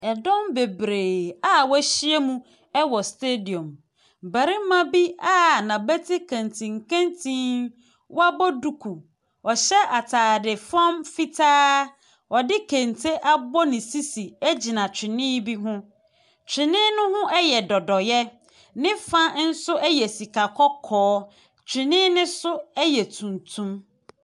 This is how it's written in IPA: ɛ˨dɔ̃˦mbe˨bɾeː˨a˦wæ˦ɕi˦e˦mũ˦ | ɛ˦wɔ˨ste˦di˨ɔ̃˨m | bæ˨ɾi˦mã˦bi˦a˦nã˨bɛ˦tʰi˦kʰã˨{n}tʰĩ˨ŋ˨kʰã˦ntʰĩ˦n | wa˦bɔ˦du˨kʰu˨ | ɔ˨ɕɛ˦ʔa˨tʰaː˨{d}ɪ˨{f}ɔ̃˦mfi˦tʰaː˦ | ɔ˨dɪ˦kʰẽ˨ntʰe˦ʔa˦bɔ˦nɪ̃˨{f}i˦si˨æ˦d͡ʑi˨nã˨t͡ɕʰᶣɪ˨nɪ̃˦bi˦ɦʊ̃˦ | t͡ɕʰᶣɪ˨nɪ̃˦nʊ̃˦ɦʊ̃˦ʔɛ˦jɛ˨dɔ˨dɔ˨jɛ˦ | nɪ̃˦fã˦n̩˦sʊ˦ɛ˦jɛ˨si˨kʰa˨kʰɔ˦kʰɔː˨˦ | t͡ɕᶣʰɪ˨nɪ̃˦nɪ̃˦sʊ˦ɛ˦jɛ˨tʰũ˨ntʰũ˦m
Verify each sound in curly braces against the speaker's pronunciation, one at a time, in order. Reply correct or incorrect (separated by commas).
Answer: correct, correct, correct, incorrect